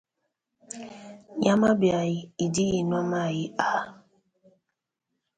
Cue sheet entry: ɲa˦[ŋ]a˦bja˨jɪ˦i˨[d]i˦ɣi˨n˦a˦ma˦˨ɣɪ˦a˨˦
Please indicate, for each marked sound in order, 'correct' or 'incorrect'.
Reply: incorrect, correct

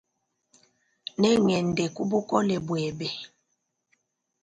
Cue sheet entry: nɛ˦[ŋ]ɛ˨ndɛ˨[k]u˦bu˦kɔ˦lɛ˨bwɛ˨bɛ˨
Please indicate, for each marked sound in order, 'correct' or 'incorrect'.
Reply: correct, correct

